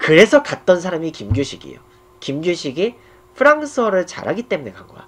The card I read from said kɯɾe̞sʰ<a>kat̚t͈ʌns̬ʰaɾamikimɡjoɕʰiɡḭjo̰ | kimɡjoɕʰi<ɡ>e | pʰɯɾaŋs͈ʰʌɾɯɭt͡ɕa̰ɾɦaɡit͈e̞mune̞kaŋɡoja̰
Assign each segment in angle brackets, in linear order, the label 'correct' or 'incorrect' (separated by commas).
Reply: incorrect, correct